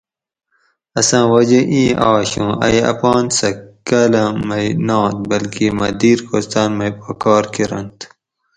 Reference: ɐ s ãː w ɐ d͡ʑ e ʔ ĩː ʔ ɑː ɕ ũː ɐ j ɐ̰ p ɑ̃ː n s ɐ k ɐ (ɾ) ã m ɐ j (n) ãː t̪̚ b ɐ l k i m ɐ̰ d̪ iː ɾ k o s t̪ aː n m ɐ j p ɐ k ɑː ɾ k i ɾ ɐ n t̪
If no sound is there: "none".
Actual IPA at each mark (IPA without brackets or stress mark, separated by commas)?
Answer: l, n